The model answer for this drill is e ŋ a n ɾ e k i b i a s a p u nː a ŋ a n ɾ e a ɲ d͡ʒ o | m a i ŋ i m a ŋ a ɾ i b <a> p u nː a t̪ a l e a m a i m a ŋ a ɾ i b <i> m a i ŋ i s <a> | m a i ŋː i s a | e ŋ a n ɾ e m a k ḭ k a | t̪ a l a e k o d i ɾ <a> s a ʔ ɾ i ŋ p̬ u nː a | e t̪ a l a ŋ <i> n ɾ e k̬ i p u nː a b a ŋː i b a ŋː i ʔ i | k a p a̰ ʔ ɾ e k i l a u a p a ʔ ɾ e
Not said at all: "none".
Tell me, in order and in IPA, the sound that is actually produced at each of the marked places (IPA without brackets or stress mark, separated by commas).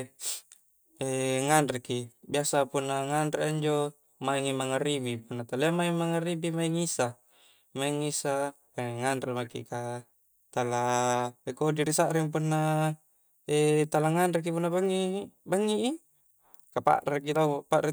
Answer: i, i, a, i, a